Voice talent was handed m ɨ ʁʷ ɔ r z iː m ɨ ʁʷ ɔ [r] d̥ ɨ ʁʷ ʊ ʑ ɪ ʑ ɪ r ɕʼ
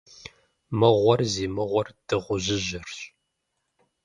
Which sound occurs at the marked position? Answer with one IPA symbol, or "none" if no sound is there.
r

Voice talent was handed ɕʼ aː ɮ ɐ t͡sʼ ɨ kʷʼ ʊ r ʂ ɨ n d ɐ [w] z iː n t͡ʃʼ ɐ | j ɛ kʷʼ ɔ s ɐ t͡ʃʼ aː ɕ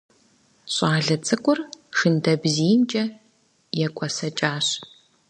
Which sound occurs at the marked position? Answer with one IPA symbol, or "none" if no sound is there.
b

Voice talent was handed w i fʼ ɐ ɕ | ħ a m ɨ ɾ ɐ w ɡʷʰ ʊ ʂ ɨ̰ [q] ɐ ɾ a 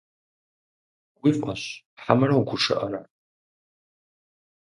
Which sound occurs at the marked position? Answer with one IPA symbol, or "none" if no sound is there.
ʔ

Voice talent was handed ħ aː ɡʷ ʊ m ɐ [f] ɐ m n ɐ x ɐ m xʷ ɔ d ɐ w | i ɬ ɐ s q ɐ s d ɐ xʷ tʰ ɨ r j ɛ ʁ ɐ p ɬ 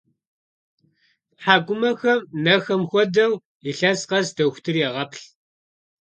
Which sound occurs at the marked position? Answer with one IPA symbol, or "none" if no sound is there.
x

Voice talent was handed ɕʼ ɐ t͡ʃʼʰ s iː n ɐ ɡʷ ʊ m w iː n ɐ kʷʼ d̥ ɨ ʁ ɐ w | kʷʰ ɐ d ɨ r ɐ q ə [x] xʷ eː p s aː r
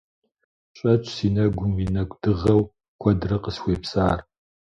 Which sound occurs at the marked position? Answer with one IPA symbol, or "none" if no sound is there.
s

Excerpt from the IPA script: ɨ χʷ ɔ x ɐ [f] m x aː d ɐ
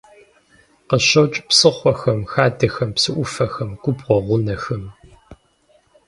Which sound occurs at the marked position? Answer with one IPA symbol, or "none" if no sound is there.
none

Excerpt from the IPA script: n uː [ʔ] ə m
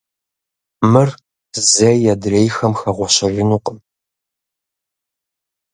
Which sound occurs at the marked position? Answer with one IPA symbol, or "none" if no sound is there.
q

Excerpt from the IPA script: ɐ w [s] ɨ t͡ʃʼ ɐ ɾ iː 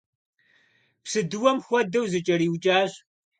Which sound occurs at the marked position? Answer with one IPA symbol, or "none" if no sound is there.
z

